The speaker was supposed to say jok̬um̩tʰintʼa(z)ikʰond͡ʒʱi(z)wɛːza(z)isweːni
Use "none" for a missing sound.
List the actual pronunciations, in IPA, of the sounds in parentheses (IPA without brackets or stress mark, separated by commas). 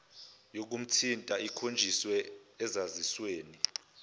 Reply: none, s, z